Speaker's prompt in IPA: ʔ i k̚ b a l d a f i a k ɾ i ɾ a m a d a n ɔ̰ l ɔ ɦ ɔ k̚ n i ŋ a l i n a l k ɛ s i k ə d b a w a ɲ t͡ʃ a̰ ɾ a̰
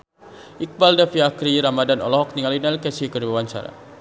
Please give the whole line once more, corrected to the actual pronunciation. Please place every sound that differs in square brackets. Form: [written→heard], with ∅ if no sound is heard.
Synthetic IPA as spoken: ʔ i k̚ b a l d a f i a k ɾ i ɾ a m a d a n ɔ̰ l ɔ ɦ ɔ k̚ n i ŋ a l i n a l k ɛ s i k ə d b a w a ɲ t͡ʃ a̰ ɾ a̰